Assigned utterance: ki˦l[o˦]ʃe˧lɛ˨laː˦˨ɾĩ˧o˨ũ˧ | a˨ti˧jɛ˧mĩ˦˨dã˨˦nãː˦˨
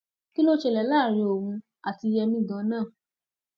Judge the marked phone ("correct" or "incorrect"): correct